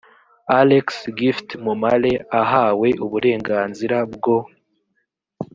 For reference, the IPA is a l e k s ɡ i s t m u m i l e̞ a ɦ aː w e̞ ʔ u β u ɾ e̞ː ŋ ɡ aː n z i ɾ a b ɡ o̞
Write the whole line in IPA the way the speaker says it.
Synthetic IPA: a l e k s ɡ i f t m u m a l e̞ a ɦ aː w e̞ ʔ u β u ɾ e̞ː ŋ ɡ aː n z i ɾ a b ɡ o̞